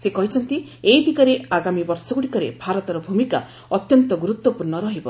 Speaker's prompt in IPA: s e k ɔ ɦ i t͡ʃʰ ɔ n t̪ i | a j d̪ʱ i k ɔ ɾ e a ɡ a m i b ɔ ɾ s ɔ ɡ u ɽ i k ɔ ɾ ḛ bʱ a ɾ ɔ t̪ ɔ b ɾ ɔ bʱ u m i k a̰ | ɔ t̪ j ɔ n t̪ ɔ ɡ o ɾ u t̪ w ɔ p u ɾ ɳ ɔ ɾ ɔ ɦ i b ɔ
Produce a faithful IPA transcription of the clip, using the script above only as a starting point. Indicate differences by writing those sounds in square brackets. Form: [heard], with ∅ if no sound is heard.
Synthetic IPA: s e k ɔ ɦ i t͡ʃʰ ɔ n t̪ i | [e] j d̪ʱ i k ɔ ɾ e a ɡ a m i b ɔ ɾ s ɔ ɡ u ɽ i k ɔ ɾ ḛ bʱ a ɾ ɔ t̪ ɔ [∅] ɾ ɔ bʱ u m i k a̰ | ɔ t̪ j ɔ n t̪ ɔ ɡ [u] ɾ u t̪ w ɔ p u ɾ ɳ ɔ ɾ ɔ ɦ i b ɔ